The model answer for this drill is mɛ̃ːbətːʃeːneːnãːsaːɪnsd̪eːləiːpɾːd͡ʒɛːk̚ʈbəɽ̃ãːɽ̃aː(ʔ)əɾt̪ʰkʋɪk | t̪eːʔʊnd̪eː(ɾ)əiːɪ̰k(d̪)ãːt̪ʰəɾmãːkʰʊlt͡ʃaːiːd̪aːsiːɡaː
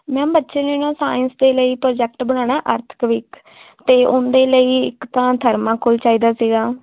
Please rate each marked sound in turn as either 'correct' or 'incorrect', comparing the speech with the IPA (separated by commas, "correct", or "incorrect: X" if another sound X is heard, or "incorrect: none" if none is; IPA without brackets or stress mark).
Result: correct, incorrect: l, incorrect: t̪